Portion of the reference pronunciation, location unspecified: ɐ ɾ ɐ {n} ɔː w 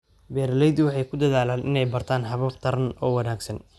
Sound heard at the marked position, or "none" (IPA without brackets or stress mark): n